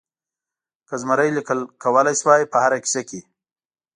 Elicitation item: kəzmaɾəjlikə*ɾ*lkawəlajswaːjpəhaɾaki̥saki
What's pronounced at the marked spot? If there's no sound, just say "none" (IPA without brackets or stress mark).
none